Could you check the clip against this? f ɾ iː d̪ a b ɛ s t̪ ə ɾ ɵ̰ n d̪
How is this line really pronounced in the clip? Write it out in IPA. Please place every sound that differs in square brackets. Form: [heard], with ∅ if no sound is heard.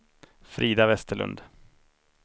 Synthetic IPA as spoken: f ɾ iː d̪ a [v] ɛ s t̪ ə [ɭ] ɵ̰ n d̪